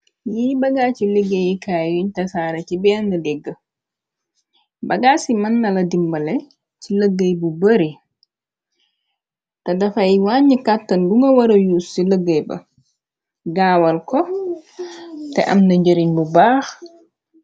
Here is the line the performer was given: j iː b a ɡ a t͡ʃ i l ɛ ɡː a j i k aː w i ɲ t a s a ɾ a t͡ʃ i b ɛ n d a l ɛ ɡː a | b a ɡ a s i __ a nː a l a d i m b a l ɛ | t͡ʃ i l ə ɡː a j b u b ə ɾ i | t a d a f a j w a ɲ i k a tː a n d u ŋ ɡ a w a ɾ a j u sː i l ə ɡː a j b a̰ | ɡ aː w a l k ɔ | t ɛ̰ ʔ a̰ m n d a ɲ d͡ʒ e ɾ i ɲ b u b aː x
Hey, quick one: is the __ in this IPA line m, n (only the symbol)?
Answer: m